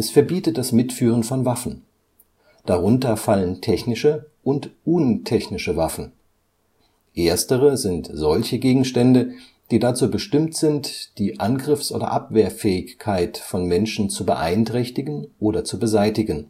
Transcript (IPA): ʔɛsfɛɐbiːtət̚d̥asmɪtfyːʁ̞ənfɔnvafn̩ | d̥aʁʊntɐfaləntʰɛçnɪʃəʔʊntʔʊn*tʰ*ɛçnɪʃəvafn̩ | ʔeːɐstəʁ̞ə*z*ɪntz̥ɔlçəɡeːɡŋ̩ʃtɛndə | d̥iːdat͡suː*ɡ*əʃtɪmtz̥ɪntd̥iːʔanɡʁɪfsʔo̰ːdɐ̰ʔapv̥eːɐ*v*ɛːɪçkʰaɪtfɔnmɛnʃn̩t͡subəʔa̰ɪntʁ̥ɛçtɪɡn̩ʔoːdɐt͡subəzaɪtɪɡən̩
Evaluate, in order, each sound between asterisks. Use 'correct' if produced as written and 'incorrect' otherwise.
correct, correct, incorrect: b, incorrect: f

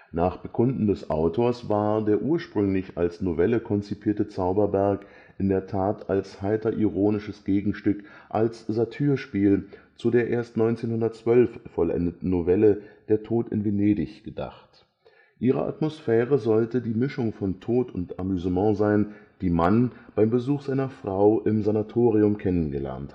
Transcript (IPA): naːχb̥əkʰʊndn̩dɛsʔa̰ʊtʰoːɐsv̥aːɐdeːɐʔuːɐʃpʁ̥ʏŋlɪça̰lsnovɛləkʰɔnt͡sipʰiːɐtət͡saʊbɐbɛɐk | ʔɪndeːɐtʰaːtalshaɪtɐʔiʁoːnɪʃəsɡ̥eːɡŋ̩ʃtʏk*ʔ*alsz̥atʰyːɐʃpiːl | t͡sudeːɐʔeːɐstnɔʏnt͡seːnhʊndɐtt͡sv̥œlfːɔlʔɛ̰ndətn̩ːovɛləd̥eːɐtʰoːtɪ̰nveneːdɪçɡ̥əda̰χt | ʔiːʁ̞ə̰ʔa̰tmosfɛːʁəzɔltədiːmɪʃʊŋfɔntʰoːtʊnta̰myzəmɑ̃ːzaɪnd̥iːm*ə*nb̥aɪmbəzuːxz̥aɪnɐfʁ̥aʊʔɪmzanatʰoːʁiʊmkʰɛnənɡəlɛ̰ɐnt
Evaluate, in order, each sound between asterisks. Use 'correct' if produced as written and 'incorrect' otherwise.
correct, incorrect: a

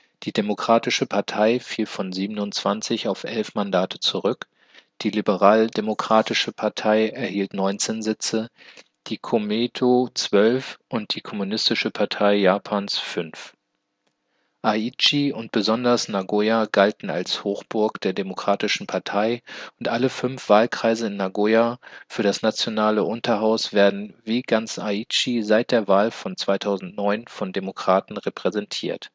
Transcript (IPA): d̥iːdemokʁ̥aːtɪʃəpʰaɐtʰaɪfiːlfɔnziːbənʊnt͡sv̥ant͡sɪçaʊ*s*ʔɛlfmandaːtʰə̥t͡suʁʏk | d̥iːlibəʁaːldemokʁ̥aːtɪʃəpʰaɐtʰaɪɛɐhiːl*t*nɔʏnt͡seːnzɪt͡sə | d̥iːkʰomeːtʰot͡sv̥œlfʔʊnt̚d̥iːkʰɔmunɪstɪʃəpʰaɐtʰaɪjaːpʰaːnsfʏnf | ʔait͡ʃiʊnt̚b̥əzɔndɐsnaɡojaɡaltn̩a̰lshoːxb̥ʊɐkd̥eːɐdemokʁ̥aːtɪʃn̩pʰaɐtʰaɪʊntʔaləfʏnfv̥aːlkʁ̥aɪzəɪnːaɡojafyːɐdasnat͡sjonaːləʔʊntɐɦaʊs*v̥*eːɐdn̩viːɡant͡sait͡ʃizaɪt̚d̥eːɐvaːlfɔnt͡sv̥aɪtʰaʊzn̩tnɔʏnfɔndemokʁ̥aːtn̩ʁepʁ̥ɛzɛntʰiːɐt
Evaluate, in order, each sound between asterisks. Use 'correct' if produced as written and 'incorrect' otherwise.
incorrect: f, correct, correct

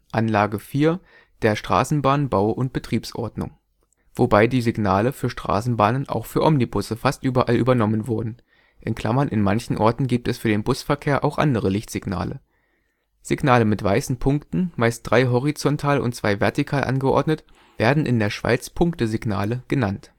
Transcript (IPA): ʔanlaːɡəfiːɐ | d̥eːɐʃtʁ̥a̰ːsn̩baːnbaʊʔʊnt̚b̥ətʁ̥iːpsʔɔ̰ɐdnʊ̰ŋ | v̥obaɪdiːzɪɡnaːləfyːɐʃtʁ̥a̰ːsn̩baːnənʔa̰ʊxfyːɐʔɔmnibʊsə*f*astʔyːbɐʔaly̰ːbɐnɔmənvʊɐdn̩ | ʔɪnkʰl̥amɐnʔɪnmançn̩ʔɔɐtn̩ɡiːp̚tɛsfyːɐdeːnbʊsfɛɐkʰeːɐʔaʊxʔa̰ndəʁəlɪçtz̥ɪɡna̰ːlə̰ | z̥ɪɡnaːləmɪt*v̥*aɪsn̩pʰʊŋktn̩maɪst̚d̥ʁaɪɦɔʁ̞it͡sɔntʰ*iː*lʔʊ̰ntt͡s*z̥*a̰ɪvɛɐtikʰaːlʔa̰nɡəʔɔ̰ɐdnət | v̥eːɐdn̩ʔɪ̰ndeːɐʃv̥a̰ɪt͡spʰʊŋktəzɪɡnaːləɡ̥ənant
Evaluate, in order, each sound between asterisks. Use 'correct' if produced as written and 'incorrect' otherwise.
correct, correct, incorrect: aː, incorrect: v̥

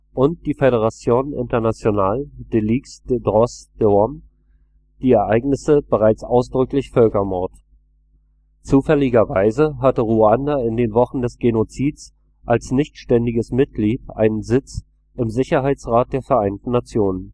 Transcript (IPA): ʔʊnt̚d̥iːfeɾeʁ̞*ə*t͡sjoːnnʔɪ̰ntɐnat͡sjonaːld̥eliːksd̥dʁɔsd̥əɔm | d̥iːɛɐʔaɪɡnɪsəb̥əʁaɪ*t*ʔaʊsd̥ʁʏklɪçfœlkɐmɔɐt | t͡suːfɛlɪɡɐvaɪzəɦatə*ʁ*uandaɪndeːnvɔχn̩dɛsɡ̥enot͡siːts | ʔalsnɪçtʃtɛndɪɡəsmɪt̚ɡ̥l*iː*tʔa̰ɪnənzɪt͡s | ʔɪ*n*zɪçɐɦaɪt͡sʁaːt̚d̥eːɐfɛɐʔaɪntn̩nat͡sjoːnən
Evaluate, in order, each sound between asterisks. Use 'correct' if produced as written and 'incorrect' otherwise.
incorrect: a, incorrect: t͡s, correct, correct, incorrect: m

